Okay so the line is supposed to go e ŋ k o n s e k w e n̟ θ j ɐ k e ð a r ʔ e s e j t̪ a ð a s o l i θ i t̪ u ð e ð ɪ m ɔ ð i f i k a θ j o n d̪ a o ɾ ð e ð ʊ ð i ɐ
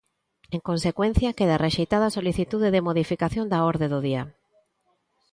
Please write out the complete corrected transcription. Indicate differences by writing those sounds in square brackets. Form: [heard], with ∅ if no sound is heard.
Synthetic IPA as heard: e ŋ k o n s e k w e n̟ θ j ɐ k e ð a r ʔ e [ʃ] e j t̪ a ð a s o l i θ i t̪ u ð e ð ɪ m [o] ð i f i k a θ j o n d̪ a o ɾ ð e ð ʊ ð i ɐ